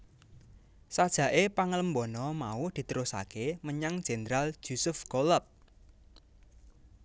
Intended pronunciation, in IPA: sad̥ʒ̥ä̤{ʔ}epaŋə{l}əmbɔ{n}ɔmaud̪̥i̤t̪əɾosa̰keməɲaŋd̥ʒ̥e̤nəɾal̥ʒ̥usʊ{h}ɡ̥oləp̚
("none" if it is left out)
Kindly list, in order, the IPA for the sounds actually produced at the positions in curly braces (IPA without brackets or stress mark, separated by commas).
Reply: ʔ, l, n, f